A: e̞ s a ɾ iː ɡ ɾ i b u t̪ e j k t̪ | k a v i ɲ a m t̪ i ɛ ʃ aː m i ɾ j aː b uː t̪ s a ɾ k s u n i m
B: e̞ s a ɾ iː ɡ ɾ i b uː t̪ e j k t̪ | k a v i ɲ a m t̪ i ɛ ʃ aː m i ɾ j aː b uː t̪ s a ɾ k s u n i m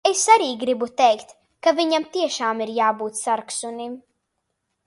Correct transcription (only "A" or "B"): A